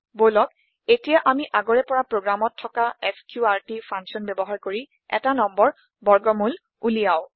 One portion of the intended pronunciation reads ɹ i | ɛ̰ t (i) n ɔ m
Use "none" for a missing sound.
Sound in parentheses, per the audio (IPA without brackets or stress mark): a